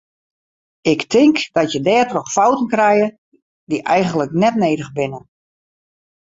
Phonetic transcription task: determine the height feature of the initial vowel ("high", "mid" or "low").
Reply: high